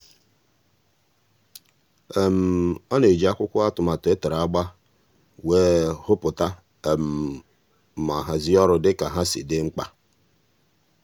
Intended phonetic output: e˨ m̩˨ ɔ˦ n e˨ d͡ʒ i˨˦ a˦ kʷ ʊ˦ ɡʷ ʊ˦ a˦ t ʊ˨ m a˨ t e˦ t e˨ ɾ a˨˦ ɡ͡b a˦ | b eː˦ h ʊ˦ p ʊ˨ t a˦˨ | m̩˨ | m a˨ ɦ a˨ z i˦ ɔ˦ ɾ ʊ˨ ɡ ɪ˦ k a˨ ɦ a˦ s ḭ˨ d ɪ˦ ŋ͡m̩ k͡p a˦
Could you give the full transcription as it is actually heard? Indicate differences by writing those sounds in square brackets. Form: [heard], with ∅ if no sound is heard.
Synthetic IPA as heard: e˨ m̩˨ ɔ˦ n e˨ d͡ʒ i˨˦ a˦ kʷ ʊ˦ [kʷ] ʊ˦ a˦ t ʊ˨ m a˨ t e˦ t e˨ ɾ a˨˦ ɡ͡b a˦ | [w] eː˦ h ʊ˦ p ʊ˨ t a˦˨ | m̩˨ | m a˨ ɦ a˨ z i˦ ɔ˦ ɾ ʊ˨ [d] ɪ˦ k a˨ ɦ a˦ s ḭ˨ d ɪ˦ ŋ͡m̩ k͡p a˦